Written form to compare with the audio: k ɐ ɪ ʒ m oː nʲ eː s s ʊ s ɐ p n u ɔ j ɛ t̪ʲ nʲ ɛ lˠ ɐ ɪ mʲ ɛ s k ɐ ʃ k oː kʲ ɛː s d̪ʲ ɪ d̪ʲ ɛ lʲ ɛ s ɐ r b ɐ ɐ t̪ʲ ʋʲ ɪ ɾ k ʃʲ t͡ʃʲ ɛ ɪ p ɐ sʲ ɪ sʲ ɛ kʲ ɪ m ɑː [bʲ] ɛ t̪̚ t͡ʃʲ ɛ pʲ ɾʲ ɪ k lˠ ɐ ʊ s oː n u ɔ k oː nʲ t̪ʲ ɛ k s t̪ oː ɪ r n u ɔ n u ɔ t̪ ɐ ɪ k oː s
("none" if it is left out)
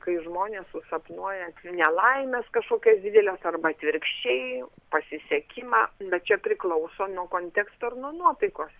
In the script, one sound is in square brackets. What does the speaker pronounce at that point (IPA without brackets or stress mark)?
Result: bʲ